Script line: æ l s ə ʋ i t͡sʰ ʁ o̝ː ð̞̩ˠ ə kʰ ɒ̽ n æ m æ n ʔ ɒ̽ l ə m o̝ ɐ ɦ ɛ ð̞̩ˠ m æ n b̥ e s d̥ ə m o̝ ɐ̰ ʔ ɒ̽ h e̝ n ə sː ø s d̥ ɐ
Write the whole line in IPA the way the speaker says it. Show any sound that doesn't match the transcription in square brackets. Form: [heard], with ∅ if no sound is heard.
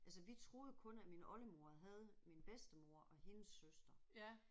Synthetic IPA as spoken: æ l s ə ʋ i t͡sʰ ʁ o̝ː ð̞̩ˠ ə kʰ [ɔ̽] n æ m [i] n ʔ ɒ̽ l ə m o̝ ɐ ɦ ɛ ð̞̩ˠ m [i] n b̥ e s d̥ ə m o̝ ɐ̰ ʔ ɒ̽ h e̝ n ə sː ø s d̥ ɐ